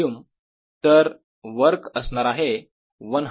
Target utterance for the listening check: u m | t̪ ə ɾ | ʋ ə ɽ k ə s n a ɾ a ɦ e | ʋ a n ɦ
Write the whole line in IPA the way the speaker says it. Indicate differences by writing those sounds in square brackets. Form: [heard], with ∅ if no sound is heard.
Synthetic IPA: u m | t̪ ə ɾ | ʋ ə [ɾ] k ə s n a ɾ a ɦ e | ʋ [ə] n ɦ